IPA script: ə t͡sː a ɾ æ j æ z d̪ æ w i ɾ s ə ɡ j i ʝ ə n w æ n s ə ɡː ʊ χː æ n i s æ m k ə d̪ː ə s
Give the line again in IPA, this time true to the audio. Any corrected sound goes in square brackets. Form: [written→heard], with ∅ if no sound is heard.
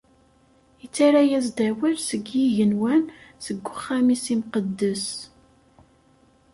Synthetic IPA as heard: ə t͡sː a ɾ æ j æ z d̪ æ w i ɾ s ə ɡ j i ʝ ə n w æ n s ə ɡː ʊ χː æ [n→m] i s [æ→i] m [k→q] ə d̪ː ə s